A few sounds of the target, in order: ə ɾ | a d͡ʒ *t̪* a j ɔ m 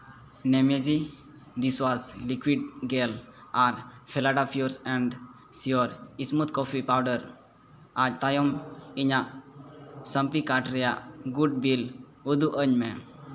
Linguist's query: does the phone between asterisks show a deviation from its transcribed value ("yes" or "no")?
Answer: no